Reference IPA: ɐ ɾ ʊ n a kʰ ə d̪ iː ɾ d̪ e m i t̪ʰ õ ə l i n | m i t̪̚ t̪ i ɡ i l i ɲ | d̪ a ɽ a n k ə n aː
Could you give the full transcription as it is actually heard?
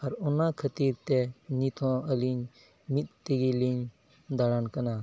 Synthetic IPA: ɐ ɾ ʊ n a kʰ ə t̪ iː ɾ t̪ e n i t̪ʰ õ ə l i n | m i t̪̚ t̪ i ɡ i l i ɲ | d̪ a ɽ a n k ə n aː